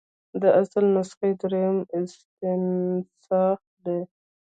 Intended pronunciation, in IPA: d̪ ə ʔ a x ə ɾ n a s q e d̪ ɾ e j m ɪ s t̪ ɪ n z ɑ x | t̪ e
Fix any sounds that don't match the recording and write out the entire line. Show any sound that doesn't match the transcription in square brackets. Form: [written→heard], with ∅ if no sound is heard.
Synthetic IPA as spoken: d̪ ə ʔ a [x→s] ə [ɾ→l] n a s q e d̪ ɾ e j m ɪ s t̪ ɪ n [z→s] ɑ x | [t̪→d̪] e

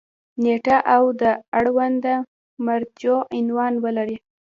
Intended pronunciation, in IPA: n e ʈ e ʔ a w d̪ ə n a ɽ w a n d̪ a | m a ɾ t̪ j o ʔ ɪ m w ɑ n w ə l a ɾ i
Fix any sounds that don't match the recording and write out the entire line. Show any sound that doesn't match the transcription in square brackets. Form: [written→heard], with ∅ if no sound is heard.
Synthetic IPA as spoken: n e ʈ [e→a] ʔ a w d̪ ə [n→∅] a ɽ w a n d̪ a | m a ɾ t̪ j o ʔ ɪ [m→n] w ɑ n w ə l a ɾ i

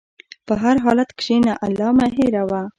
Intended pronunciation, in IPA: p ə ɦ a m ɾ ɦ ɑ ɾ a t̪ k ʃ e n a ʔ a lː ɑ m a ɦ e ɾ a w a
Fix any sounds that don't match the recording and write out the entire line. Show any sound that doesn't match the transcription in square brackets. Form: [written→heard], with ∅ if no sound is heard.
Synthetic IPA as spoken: p ə ɦ a [m→∅] ɾ ɦ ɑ [ɾ→l] a t̪ k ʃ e n a ʔ a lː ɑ m a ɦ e ɾ a w a

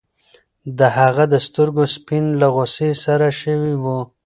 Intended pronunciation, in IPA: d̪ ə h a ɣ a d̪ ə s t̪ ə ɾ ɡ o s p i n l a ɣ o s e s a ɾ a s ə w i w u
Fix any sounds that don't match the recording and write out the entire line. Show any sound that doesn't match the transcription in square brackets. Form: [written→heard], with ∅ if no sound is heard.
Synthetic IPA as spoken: d̪ ə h a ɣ a d̪ ə s t̪ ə ɾ ɡ o s p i n l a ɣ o s e s a ɾ a [s→ʃ] ə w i w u

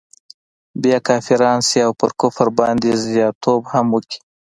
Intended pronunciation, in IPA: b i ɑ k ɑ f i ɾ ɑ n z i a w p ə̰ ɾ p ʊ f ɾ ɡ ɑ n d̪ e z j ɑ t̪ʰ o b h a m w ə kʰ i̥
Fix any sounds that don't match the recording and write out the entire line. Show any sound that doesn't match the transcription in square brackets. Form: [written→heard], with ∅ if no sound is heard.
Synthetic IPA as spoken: b [i→j] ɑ k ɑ f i ɾ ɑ n [z→s] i a w p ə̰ ɾ [p→k] ʊ f ɾ [ɡ→b] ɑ n d̪ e z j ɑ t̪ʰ o b h a m w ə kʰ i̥

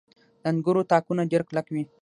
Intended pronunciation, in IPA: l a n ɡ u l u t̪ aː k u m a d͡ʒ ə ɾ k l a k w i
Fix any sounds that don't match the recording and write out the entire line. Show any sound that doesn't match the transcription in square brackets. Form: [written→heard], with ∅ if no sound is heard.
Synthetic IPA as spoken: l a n ɡ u [l→ɾ] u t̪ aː k u [m→n] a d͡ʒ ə ɾ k l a k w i

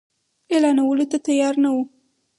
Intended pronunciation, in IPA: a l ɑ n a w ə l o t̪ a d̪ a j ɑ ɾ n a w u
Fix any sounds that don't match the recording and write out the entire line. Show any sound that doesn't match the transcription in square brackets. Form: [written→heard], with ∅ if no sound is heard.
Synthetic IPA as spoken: [a→e] l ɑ n a w ə l o t̪ a [d̪→t̪] a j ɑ ɾ n a w u

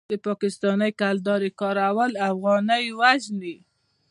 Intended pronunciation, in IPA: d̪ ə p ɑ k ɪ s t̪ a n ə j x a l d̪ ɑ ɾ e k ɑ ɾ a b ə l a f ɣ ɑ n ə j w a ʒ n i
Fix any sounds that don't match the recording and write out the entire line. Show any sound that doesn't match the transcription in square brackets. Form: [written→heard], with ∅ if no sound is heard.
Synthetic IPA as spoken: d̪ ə p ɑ k ɪ s t̪ [a→ɑ] n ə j [x→k] a l d̪ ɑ ɾ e k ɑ ɾ a [b→w] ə l a f ɣ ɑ n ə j w a ʒ n i

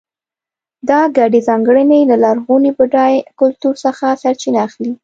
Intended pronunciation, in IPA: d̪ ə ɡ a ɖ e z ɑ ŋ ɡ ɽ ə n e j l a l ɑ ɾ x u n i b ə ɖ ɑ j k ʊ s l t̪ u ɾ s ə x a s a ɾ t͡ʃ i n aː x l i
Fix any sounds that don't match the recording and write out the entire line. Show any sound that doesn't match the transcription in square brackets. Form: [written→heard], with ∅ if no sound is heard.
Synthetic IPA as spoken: d̪ [ə→ɑ] ɡ a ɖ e z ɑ ŋ ɡ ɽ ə n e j l a l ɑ ɾ [x→ɣ] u n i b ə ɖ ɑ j k ʊ [s→∅] l t̪ u ɾ s ə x a s a ɾ t͡ʃ i n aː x l i

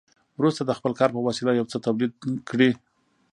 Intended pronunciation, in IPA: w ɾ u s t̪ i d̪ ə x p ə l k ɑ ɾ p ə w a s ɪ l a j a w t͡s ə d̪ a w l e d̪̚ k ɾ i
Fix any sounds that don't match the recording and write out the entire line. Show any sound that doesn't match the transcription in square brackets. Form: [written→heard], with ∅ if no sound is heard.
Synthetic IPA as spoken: w ɾ u s t̪ [i→a] d̪ ə x p ə l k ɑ ɾ p ə w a s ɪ l a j a w t͡s ə [d̪→t̪] a w l [e→i] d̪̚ k [ɾ→ɽ] i

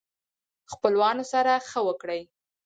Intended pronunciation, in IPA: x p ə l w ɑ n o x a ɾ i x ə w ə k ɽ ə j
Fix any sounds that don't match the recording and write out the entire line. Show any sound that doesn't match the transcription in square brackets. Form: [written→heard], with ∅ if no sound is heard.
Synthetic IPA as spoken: x p ə l w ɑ n o [x→s] a ɾ [i→a] x ə w ə k ɽ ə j

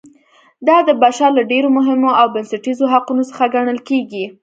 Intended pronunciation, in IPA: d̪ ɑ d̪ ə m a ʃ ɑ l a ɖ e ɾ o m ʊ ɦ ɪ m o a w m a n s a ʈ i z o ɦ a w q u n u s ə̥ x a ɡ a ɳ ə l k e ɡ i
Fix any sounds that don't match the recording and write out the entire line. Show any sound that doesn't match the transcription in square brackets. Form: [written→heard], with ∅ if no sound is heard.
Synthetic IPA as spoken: d̪ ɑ d̪ ə [m→b] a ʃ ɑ l a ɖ e ɾ o m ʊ ɦ ɪ m o a w [m→b] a n s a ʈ i z o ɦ a [w→∅] q u n [u→o] s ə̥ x a ɡ a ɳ ə l k e ɡ i

